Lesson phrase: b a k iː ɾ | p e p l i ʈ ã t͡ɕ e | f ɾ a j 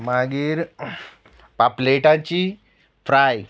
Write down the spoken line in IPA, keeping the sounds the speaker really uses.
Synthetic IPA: m a ɡ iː ɾ | p a p l e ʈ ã t͡ɕ i | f ɾ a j